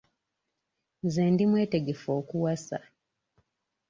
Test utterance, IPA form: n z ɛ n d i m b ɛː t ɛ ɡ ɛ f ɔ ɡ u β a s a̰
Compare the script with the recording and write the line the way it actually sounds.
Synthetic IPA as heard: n z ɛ n d i m w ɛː t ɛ ɡ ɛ f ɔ k u w a s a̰